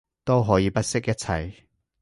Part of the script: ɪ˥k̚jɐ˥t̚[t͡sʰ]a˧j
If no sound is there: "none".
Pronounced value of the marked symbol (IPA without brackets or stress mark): t͡sʰ